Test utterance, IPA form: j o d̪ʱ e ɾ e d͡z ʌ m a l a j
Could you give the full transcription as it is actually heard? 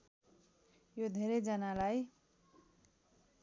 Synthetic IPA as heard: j o d̪ʱ e ɾ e d͡z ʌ n a l a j